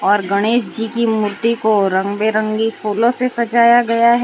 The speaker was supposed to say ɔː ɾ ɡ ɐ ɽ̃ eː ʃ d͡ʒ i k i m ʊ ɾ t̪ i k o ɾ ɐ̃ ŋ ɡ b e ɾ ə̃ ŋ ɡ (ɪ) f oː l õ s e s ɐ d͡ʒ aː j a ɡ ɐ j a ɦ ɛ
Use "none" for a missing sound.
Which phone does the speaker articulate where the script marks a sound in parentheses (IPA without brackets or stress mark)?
i